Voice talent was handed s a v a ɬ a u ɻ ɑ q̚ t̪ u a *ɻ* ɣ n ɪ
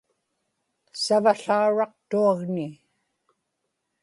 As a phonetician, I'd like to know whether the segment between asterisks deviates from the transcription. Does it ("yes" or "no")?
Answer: yes